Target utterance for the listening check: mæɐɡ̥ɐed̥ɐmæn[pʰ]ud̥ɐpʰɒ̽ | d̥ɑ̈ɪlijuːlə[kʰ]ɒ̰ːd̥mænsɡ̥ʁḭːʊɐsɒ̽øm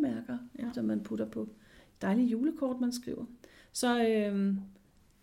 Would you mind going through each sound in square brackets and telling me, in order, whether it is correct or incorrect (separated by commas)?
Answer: correct, correct